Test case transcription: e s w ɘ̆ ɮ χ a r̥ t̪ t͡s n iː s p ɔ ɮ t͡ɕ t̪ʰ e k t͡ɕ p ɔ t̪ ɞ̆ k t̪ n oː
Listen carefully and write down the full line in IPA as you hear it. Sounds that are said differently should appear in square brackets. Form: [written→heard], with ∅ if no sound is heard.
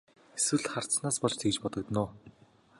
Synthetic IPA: e s w ɘ̆ ɮ χ a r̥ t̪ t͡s n [iː→aː] s p ɔ ɮ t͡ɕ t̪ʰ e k t͡ɕ p ɔ t̪ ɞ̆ k t̪ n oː